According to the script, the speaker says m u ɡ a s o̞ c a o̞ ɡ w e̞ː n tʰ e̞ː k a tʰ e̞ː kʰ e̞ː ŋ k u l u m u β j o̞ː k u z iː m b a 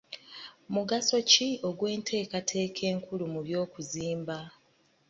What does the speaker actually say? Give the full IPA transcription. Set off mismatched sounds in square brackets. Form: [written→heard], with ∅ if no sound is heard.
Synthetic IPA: m u ɡ a s o̞ c [a→i] o̞ ɡ w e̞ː n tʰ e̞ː k a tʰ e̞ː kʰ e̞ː ŋ k u l u m u β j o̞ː k u z iː m b a